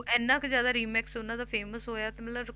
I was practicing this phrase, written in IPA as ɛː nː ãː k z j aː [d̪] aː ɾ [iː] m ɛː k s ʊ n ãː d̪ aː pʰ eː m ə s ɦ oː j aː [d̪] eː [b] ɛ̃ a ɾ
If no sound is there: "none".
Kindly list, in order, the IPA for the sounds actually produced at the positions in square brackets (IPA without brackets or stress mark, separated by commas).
d̪, iː, t̪, m